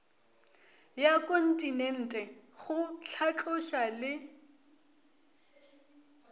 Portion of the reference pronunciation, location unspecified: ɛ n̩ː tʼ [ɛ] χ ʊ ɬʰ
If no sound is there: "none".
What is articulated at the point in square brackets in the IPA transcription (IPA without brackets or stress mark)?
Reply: ɛ